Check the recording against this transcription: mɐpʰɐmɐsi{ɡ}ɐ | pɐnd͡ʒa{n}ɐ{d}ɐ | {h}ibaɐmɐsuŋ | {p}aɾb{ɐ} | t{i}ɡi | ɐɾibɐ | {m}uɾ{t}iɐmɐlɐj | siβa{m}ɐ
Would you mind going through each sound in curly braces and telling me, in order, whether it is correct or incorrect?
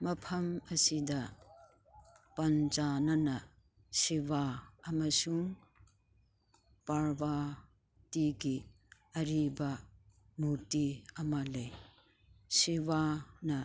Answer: incorrect, correct, incorrect, incorrect, correct, incorrect, correct, correct, correct, incorrect

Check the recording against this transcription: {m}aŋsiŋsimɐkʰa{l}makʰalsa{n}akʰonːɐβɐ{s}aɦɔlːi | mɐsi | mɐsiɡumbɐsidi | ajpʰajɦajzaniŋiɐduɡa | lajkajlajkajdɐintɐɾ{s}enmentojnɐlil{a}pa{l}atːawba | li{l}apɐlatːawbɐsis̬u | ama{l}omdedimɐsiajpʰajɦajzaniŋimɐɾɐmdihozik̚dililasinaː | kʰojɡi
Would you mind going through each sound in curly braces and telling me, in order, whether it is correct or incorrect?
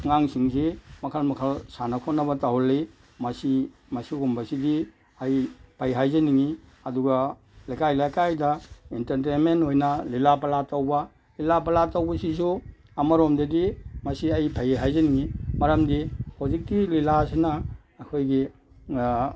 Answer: incorrect, correct, correct, incorrect, incorrect, correct, correct, correct, incorrect

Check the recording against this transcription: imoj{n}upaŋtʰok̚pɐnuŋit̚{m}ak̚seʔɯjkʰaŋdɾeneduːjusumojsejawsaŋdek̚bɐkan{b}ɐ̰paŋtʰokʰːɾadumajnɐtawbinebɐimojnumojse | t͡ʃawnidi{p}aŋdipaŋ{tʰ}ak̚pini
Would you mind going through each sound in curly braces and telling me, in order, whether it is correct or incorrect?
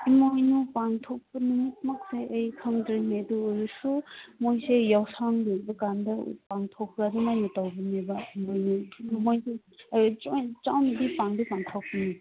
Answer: correct, correct, incorrect, correct, correct

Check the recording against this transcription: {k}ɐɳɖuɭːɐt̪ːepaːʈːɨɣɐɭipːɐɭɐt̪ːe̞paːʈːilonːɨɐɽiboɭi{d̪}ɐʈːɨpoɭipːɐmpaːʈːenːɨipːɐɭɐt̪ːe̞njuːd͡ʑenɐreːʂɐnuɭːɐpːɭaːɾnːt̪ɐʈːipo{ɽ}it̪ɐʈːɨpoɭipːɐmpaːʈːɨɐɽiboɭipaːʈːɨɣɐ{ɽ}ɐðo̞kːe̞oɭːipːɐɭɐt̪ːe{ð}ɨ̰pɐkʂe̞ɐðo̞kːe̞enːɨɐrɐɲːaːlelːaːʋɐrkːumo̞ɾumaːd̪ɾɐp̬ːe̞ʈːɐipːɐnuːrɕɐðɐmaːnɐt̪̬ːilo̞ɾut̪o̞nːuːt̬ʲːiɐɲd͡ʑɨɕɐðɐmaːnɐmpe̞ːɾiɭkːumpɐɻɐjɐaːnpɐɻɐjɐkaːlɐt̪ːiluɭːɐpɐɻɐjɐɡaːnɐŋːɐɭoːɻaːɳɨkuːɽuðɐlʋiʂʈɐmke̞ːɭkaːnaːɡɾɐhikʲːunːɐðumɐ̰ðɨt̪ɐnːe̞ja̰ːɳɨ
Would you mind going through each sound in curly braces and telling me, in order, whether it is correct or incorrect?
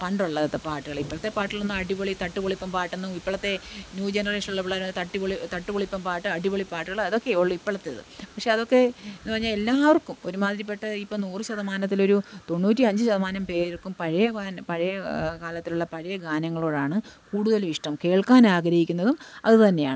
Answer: incorrect, incorrect, incorrect, incorrect, correct

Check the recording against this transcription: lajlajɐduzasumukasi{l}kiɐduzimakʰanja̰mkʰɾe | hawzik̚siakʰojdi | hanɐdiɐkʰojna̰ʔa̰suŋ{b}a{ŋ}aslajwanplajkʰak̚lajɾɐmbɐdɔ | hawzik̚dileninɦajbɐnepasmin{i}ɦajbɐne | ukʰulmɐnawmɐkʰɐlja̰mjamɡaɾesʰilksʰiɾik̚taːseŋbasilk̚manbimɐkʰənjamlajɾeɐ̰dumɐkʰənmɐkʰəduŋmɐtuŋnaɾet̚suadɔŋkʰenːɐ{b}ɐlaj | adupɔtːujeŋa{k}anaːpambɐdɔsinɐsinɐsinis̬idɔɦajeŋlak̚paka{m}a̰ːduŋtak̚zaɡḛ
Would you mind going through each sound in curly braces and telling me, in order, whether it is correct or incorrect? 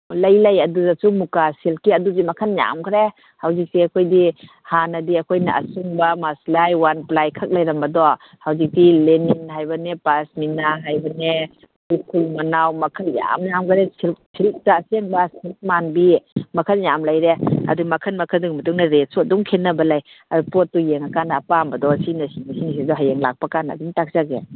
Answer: correct, correct, incorrect, incorrect, correct, correct, incorrect

